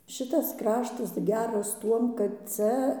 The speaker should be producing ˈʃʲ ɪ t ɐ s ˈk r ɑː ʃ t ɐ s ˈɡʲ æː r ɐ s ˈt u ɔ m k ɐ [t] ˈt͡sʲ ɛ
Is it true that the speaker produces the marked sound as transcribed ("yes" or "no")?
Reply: yes